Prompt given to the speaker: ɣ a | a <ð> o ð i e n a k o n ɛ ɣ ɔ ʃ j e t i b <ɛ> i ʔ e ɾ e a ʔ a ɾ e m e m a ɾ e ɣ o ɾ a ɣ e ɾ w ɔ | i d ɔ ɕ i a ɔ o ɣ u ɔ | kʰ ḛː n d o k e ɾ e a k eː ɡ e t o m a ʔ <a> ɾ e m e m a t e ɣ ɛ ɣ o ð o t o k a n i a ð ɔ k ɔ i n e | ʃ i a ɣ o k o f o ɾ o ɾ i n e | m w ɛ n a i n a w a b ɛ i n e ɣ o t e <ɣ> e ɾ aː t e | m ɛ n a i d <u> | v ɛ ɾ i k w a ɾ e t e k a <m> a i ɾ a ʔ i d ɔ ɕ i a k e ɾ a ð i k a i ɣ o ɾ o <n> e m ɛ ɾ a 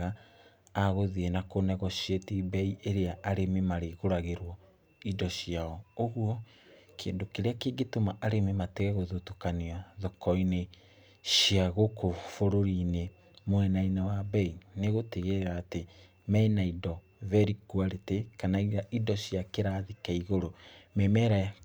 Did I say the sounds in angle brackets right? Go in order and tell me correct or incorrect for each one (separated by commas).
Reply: incorrect, correct, correct, correct, incorrect, incorrect, incorrect